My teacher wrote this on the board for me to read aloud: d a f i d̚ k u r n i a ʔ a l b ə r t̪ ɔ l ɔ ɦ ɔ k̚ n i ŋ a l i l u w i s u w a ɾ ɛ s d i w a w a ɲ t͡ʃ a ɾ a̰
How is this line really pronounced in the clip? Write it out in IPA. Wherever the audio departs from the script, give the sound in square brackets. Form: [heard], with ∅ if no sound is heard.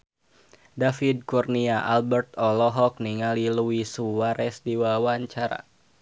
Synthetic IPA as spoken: d a f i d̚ k u r n i a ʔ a l b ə r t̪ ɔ l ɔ ɦ ɔ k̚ n i ŋ a l i l u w i s u w a ɾ ɛ s d i w a w a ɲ t͡ʃ a ɾ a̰